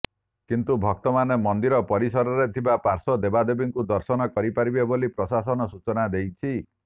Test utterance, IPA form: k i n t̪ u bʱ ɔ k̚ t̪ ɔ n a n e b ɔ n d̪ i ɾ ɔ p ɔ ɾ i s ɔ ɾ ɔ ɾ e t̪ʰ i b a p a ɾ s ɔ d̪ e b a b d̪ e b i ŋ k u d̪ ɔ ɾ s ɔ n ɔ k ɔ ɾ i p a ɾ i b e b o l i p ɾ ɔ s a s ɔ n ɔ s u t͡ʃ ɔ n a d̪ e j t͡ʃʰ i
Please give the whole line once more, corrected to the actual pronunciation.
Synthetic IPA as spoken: k i n t̪ u bʱ ɔ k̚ t̪ ɔ m a n e m ɔ n d̪ i ɾ ɔ p ɔ ɾ i s ɔ ɾ ɔ ɾ e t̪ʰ i b a p a ɾ s ɔ d̪ e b a d̪ e b i ŋ k u d̪ ɔ ɾ s ɔ n ɔ k ɔ ɾ i p a ɾ i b e b o l i p ɾ ɔ s a s ɔ n ɔ s u t͡ʃ ɔ n a d̪ e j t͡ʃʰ i